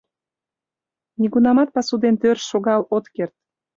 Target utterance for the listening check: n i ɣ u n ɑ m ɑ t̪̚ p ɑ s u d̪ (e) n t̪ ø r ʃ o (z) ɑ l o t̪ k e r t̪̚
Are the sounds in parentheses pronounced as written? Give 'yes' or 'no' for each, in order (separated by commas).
yes, no